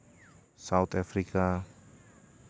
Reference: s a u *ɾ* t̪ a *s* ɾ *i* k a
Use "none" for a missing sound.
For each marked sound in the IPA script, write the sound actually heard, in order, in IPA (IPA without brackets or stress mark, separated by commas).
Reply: none, f, i